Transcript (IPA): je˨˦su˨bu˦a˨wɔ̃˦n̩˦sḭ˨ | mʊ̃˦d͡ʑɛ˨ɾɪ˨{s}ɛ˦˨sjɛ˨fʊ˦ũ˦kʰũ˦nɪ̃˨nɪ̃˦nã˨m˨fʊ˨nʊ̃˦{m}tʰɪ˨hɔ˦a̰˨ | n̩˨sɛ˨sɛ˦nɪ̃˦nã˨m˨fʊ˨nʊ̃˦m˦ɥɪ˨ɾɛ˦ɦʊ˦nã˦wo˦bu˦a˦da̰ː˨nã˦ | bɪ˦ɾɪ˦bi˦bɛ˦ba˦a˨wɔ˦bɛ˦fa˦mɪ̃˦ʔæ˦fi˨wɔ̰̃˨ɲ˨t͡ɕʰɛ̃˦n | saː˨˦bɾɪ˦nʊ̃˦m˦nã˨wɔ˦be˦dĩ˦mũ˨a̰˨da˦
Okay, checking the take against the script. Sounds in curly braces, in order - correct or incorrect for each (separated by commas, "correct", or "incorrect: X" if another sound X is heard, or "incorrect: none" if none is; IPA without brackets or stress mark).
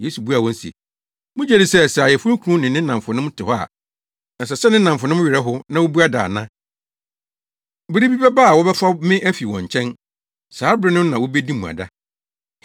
correct, correct